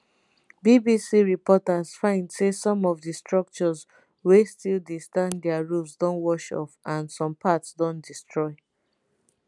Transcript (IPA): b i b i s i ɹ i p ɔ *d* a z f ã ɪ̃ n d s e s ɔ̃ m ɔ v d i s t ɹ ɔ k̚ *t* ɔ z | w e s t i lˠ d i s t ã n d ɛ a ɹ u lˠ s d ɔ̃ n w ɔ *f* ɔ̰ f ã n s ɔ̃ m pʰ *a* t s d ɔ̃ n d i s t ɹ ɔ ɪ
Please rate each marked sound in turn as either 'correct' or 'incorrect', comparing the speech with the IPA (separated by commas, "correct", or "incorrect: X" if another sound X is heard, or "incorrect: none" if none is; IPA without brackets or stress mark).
incorrect: t, incorrect: t͡ʃ, incorrect: ʃ, correct